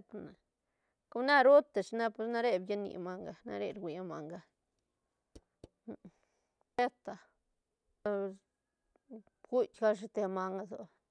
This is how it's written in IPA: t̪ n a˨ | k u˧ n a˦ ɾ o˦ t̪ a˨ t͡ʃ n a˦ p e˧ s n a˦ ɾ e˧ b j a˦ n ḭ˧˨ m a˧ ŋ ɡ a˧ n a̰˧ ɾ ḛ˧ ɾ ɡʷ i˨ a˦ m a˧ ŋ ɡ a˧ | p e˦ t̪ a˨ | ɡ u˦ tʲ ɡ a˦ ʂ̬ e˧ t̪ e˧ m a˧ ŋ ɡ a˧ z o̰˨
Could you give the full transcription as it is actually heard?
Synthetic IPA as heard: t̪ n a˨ | k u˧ n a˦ ɾ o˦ t̪ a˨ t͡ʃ n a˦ p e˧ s n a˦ ɾ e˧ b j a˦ n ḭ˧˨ m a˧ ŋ ɡ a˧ n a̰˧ ɾ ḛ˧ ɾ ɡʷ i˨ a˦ m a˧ ŋ ɡ a˧ | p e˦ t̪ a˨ | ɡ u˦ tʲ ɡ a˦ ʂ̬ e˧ t̪ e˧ m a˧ ŋ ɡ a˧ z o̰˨